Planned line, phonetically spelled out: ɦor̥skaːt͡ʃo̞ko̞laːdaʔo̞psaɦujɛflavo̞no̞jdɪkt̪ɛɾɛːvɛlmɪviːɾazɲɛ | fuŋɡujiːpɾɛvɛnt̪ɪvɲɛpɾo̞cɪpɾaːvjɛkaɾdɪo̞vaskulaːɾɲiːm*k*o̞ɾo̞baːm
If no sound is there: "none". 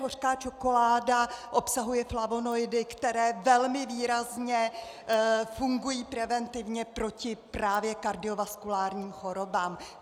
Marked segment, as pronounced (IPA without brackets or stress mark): x